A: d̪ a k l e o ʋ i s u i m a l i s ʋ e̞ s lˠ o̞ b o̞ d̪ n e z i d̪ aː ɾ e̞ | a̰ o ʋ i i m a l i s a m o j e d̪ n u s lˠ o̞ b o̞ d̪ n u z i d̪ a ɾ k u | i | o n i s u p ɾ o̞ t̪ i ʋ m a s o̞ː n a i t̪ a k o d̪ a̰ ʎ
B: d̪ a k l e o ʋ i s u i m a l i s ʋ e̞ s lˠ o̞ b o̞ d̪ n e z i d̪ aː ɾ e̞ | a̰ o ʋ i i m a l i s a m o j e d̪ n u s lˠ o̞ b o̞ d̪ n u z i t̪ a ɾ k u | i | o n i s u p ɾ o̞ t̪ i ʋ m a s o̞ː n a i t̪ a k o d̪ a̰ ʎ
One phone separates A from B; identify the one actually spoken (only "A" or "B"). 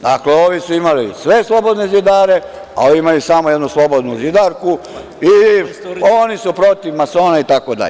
A